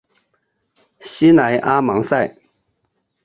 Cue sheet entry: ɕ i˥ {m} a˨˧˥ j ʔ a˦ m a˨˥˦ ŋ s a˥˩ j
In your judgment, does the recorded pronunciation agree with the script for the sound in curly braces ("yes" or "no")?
no